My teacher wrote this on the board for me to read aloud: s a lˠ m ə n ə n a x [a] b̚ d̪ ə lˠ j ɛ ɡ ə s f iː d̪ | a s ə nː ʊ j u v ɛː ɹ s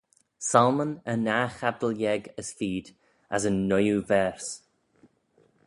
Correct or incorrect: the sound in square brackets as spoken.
correct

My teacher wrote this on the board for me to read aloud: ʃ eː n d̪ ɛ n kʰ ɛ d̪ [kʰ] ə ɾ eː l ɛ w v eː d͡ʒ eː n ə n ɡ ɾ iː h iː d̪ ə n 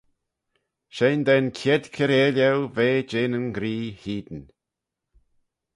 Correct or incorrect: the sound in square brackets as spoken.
correct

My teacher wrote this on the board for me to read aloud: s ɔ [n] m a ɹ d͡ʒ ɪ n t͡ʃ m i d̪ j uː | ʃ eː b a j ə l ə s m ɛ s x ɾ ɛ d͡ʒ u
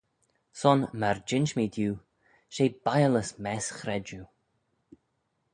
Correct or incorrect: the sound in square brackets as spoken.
correct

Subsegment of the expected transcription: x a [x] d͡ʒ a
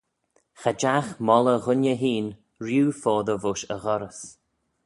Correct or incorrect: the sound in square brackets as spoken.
incorrect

